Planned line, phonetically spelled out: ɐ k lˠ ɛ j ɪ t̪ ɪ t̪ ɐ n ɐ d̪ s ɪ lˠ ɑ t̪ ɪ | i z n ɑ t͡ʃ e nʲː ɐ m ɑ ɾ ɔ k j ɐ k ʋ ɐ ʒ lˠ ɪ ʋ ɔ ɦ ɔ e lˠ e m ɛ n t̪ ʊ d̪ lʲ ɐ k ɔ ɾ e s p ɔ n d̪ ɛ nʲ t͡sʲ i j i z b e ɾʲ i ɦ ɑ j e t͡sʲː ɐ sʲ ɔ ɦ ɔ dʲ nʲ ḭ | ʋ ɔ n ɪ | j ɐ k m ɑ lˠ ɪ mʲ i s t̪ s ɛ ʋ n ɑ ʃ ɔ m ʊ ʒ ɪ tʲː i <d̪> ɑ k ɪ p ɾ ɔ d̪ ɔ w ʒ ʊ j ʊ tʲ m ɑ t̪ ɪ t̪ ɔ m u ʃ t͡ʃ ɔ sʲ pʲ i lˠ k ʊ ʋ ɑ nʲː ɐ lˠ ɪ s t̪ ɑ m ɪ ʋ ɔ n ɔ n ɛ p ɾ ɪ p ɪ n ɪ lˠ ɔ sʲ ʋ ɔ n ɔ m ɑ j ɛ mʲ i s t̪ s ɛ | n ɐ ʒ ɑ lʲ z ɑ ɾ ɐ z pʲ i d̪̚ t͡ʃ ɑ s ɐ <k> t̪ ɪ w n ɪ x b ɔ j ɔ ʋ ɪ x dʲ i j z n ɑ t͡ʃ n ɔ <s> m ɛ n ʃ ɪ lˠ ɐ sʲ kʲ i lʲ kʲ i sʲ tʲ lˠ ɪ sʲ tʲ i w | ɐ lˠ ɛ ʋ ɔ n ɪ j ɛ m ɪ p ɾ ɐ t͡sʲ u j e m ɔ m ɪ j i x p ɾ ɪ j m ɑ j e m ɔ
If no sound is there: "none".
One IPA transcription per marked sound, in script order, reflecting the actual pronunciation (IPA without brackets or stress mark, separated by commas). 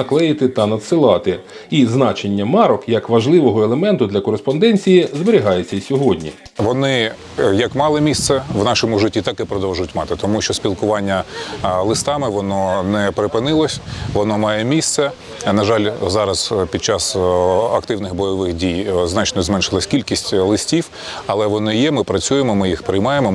t̪, k, z